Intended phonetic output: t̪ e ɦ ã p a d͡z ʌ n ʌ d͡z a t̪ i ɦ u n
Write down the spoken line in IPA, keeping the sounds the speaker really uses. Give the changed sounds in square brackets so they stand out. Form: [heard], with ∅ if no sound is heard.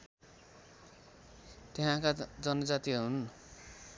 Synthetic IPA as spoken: t̪ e ɦ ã [k] a d͡z ʌ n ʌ d͡z a t̪ i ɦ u n